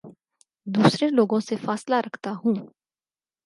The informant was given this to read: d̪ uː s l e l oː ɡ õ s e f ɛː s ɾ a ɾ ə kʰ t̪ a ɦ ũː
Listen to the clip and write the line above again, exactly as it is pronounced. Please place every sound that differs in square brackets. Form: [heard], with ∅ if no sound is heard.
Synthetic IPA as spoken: d̪ uː s [ɾ] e l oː ɡ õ s e f [aː] s [l] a ɾ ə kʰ t̪ a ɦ ũː